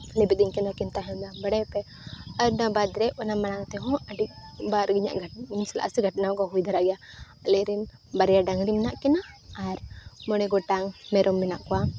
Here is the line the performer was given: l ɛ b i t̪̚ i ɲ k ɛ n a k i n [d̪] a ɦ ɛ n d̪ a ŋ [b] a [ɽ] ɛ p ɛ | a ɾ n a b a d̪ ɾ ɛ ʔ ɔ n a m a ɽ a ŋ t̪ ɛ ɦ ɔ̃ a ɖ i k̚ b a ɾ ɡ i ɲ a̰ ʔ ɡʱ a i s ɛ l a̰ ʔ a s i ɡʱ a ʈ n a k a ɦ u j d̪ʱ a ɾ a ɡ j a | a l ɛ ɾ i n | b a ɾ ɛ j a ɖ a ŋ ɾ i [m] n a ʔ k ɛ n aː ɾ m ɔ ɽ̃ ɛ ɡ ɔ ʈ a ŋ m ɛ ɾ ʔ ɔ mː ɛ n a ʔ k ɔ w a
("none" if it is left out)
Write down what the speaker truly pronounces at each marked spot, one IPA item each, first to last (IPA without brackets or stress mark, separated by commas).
t̪, b, ɽ, m